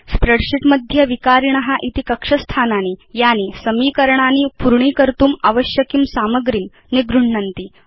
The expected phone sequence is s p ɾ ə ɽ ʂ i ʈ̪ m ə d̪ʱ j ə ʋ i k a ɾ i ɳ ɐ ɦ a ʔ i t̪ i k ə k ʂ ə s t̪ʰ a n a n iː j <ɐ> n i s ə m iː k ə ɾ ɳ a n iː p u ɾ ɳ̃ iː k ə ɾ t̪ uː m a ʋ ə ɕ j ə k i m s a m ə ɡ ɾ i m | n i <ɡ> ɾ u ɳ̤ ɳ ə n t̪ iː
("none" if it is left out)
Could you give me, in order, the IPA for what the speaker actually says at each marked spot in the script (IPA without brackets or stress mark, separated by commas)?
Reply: a, ɡ